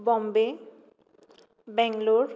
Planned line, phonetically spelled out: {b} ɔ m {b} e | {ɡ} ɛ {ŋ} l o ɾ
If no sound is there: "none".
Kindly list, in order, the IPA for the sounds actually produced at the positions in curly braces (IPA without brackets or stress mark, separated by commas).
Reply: b, b, b, ŋ